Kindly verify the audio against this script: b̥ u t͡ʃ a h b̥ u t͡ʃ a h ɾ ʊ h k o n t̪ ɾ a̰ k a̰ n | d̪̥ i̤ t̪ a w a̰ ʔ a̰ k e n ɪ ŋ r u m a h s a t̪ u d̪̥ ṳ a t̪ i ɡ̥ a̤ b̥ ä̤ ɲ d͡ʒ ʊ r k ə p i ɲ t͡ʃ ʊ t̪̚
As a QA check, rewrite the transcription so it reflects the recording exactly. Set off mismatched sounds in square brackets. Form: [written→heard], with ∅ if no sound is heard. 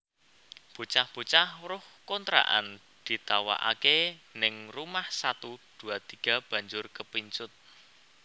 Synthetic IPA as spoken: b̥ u t͡ʃ a h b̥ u t͡ʃ a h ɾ ʊ h k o n t̪ ɾ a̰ [k→ʔ] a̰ n | d̪̥ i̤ t̪ a w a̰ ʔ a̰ k e n ɪ ŋ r u m a h s a t̪ u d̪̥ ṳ a t̪ i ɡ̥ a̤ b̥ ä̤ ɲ d͡ʒ ʊ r k ə p i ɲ t͡ʃ ʊ t̪̚